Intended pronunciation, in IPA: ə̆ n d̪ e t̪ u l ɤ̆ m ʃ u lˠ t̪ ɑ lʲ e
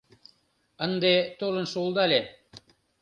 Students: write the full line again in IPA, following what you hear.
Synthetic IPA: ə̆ n d̪ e t̪ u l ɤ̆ n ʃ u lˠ d̪ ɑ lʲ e